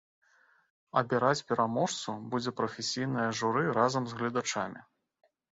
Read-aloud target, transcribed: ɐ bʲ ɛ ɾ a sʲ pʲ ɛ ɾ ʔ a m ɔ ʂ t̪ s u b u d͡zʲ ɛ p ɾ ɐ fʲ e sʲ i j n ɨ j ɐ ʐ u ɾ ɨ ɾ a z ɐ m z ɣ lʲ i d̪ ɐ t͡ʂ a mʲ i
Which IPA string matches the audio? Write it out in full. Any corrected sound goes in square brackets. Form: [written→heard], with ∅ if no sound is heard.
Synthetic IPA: ɐ bʲ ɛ ɾ a [sʲ→t͡sʲ] pʲ ɛ ɾ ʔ a m ɔ ʂ t̪ s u b u d͡zʲ ɛ p ɾ ɐ fʲ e sʲ i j n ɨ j ɐ ʐ u ɾ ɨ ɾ a z ɐ m z ɣ lʲ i d̪ [ɐ→a] t͡ʂ a mʲ i